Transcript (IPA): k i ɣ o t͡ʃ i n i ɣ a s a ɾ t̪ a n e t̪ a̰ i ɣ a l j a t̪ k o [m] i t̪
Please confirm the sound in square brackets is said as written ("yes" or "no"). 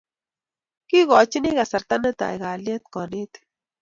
no